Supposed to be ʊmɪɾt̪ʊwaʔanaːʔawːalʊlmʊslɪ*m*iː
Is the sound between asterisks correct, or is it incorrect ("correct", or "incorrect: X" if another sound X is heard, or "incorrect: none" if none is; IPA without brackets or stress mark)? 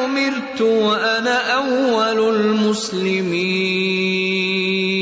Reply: correct